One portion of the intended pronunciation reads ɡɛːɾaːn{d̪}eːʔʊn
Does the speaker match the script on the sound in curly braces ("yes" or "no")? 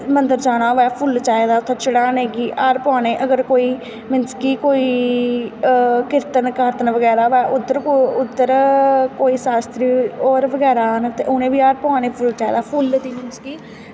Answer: no